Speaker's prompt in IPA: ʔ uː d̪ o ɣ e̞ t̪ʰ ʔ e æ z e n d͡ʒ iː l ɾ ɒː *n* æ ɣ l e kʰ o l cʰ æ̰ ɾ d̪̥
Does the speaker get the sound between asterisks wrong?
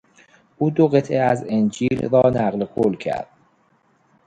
no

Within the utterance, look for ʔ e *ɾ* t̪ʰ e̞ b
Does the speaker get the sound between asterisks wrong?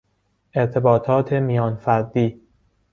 no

